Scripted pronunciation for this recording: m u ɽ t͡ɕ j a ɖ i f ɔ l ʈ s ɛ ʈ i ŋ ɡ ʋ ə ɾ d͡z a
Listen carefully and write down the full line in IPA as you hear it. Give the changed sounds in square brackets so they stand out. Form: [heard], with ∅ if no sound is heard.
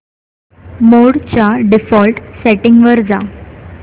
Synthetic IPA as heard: m [o] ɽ t͡ɕ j a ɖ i f ɔ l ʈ s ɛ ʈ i ŋ ɡ ʋ ə ɾ d͡z a

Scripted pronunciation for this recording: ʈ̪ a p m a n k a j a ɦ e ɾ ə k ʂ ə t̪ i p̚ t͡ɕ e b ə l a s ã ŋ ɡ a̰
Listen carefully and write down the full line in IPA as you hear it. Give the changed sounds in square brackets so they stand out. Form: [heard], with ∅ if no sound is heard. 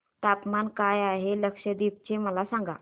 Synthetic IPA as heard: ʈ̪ a p m a n k a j a ɦ e [l] ə k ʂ ə [d̪] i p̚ t͡ɕ e [m] ə l a s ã ŋ ɡ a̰

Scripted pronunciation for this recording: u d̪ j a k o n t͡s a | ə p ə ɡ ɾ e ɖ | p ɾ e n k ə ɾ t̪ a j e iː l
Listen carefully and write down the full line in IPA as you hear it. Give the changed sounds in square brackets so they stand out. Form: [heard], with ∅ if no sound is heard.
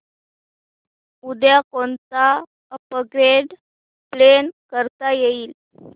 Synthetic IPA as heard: u d̪ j a k o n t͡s a | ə p ə ɡ ɾ e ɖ | p [l] e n k ə ɾ t̪ a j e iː l

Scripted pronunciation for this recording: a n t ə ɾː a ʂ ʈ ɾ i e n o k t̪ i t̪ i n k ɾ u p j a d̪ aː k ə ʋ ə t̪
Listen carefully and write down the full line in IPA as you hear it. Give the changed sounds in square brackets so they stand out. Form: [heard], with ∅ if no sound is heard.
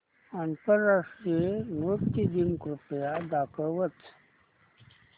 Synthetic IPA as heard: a n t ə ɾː a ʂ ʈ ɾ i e n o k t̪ i [d̪] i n k ɾ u p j a d̪ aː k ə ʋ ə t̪

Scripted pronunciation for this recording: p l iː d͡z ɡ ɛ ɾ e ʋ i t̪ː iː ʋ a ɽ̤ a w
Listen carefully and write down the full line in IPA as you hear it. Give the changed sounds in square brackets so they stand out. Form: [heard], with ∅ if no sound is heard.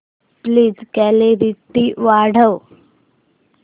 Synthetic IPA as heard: p l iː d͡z [k] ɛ [l] e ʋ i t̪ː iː ʋ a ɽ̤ [ə] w

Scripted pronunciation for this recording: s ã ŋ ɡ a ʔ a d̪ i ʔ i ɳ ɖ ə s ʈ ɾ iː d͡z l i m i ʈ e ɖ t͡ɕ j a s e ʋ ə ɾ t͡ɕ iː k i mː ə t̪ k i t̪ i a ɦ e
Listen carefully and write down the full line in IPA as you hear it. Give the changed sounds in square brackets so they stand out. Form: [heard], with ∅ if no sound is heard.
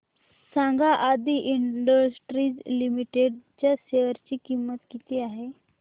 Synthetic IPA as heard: s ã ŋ ɡ a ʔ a d̪ i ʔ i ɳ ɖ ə s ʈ ɾ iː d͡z l i m i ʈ e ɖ t͡ɕ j a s e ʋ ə ɾ t͡ɕ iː k i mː ə t̪ k i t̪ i a ɦ e

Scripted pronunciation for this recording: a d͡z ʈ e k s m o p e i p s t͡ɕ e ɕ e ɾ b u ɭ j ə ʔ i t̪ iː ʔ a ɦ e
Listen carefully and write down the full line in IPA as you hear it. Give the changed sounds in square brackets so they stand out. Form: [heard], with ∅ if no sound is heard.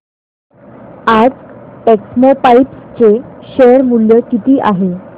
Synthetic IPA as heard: a d͡z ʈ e k s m o p [a] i p s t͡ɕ e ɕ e ɾ [m] u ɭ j ə [k] i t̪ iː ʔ a ɦ e

